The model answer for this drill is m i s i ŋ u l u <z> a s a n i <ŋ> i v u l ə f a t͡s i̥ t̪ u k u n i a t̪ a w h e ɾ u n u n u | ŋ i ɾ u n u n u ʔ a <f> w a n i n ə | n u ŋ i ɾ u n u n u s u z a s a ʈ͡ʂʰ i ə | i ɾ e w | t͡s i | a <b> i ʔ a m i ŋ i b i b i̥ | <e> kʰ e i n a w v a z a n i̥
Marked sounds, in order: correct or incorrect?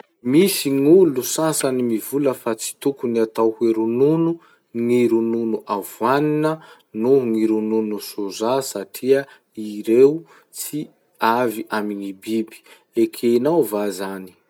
incorrect, incorrect, incorrect, incorrect, correct

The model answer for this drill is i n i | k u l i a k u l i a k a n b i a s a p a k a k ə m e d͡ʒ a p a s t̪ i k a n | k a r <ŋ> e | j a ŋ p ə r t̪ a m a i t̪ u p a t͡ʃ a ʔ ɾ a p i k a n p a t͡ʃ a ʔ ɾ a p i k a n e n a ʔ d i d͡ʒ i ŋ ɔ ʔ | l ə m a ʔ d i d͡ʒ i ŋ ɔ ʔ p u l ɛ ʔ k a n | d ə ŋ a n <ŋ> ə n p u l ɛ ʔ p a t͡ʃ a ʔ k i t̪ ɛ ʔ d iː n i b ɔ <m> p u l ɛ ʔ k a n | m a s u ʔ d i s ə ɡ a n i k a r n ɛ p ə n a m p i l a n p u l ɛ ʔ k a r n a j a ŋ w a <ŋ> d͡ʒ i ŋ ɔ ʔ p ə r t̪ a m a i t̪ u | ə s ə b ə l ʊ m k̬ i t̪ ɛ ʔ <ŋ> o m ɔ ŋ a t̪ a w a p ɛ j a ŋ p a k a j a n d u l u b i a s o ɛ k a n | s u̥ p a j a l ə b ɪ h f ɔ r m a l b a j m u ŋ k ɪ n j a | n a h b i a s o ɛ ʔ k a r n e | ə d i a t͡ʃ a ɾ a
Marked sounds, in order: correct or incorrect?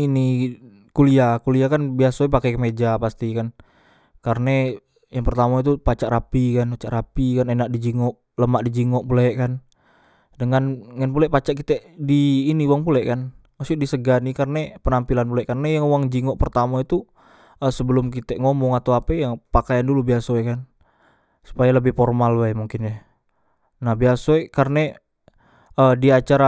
incorrect, correct, incorrect, correct, correct

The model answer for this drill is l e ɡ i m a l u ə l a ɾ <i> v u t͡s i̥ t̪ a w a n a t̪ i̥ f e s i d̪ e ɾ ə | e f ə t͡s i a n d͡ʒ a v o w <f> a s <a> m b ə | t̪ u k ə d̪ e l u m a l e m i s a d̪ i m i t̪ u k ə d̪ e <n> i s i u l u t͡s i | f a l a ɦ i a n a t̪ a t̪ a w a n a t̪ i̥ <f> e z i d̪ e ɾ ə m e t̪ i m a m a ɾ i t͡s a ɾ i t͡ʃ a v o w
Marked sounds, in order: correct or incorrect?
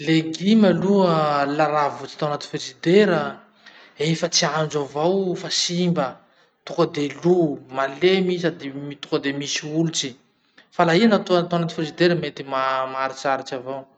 incorrect, correct, incorrect, incorrect, correct

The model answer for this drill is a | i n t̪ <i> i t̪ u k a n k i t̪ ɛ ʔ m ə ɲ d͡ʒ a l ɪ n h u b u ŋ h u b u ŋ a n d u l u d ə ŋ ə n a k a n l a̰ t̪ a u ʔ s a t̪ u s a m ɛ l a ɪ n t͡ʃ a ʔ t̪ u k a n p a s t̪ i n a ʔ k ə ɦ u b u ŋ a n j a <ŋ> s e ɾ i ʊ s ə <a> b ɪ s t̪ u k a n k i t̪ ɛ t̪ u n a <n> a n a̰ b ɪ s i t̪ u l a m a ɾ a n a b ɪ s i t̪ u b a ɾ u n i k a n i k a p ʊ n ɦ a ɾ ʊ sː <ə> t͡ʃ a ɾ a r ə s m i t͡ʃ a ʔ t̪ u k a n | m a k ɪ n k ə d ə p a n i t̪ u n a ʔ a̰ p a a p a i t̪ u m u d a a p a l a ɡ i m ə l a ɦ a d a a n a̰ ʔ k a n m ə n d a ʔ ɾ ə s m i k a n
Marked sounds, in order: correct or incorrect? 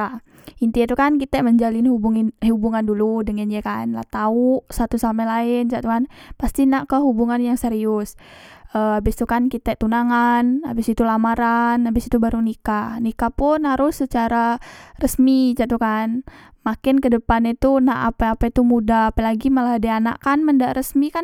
correct, correct, correct, incorrect, correct

